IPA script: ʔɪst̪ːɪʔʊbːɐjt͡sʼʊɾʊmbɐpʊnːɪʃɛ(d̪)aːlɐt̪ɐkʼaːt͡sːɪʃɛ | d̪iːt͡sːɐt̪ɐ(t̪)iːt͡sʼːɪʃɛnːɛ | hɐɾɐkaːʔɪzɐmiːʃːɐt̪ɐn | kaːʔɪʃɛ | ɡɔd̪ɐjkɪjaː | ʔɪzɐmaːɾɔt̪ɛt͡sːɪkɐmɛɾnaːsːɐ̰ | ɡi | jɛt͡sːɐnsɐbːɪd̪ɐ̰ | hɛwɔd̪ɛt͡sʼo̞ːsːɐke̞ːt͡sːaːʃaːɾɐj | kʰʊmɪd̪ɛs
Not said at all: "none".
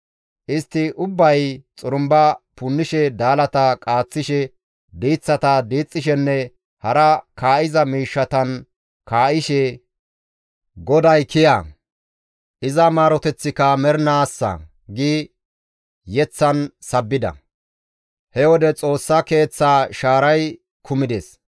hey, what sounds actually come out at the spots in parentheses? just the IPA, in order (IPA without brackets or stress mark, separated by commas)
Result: d̪, d̪